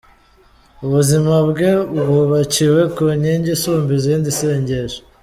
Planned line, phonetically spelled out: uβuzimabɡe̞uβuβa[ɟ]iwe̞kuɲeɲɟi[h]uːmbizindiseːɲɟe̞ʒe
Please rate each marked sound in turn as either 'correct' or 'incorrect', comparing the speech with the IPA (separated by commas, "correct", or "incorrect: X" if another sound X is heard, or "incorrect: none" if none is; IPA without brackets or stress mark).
incorrect: c, incorrect: s